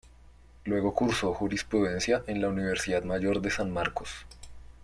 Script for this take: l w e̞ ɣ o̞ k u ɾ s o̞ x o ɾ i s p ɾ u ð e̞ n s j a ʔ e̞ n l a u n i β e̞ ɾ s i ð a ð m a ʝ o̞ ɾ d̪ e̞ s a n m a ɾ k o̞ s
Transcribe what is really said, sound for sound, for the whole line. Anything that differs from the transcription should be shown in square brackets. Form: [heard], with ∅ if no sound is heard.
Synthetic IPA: l w e̞ ɣ o̞ k u ɾ s o̞ x [u] ɾ i s p ɾ u ð e̞ n s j a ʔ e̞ n l a u n i β e̞ ɾ s i ð a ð m a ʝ o̞ ɾ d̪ e̞ s a n m a ɾ k o̞ s